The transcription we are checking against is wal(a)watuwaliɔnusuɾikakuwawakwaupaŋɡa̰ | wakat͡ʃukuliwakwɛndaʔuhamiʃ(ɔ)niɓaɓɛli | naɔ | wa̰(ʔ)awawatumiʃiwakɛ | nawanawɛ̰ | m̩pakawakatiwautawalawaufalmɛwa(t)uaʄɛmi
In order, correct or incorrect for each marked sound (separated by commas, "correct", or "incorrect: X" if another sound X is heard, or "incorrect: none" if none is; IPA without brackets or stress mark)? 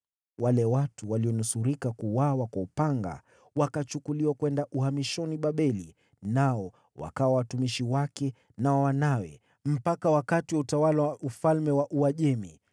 incorrect: ɛ, correct, incorrect: k, incorrect: ʔ